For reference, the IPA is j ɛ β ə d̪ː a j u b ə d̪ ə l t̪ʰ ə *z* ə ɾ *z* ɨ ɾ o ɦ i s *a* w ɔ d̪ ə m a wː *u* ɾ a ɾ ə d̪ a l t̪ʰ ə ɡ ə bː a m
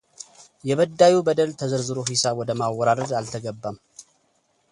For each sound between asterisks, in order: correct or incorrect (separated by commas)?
correct, correct, correct, incorrect